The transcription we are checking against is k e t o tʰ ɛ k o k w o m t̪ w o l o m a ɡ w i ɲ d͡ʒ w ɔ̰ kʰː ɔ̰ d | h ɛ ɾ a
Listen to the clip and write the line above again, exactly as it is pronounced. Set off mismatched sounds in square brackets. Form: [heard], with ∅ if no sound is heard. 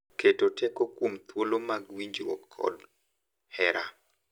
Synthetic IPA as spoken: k e t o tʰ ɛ k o k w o m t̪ w o l o m a ɡ w i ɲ d͡ʒ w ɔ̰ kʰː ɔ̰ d | h ɛ ɾ a

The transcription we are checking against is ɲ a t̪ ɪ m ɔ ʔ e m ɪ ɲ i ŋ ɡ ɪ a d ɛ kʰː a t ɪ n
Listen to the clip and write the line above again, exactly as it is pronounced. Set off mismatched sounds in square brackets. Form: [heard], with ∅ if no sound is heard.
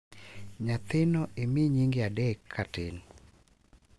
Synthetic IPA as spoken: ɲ a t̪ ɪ [n] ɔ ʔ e m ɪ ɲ i ŋ ɡ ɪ a d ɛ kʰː a t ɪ n

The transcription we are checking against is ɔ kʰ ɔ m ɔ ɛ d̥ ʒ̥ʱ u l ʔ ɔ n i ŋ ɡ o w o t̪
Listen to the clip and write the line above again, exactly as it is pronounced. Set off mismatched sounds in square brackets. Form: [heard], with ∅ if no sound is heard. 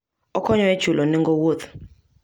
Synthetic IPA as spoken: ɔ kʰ ɔ [ɲ] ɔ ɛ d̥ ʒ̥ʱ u l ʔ ɔ n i ŋ ɡ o w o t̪

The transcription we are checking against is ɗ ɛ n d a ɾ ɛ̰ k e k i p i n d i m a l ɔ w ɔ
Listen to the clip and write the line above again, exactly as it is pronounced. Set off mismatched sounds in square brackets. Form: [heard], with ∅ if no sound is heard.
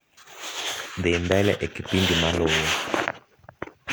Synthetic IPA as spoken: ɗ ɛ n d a [l] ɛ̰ [ʔ] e k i p i n d i m a l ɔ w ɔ

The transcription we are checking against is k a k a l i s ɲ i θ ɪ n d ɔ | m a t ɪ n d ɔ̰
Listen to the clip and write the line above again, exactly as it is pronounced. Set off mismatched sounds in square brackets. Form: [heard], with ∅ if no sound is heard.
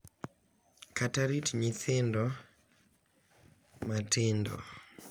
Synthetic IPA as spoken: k a [t] a [ɾ] i [t] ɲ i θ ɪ n d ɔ | m a t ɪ n d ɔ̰

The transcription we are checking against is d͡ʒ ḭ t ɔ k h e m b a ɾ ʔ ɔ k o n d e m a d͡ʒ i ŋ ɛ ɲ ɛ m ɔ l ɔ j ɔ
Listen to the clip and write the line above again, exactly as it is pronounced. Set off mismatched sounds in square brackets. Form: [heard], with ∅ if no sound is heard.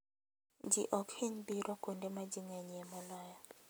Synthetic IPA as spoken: d͡ʒ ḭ [ʔ] ɔ k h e [ɲ] b [i] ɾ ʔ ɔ k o n d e m a d͡ʒ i ŋ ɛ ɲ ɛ m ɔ l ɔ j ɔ

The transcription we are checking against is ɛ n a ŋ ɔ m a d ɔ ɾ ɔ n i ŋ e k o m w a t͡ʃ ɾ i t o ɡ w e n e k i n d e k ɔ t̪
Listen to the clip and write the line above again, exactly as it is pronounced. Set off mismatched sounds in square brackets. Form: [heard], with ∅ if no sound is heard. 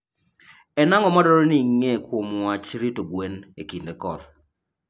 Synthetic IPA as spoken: ɛ n a ŋ ɔ m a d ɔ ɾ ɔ n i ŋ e k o m w a t͡ʃ ɾ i t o ɡ w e n e k i n d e k ɔ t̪

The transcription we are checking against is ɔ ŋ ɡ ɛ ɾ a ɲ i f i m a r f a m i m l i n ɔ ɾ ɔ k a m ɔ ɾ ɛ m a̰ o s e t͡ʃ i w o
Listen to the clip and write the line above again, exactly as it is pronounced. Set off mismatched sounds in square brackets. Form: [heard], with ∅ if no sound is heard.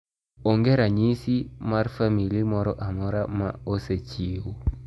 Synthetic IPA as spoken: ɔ ŋ ɡ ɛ ɾ a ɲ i [s] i m a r f a m i [∅] l i [m] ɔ ɾ ɔ [ʔ] a m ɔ ɾ [a] m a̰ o s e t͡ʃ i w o

